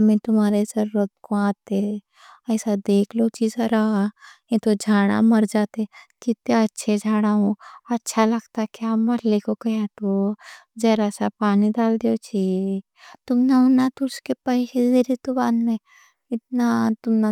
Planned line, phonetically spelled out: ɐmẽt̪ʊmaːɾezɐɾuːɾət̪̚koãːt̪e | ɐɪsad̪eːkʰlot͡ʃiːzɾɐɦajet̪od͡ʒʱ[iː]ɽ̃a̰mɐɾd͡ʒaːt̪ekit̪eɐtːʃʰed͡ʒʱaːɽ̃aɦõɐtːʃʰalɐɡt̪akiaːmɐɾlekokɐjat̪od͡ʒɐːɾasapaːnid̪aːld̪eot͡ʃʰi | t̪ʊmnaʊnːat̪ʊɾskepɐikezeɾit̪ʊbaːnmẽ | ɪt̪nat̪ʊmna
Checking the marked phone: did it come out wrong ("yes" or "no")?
yes